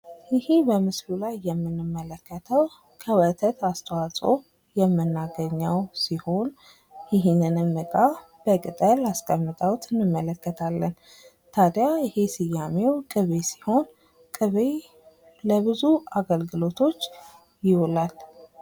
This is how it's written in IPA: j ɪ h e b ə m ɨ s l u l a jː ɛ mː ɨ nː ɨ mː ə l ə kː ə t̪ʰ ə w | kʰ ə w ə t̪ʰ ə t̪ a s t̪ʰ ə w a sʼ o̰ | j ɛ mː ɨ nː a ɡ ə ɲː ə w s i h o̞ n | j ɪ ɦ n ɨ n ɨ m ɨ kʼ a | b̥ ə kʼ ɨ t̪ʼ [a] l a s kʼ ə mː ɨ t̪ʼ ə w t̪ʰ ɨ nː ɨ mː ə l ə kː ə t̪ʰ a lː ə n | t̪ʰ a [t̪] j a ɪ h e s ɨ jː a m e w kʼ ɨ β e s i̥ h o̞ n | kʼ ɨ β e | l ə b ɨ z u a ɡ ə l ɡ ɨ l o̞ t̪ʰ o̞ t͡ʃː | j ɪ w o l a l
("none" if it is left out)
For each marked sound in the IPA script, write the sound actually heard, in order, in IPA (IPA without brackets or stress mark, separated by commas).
ə, d̪